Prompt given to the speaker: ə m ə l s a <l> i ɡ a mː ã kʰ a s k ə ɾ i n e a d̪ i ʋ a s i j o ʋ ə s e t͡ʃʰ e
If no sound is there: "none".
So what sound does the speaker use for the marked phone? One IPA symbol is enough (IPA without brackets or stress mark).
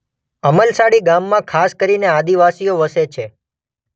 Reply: ɽ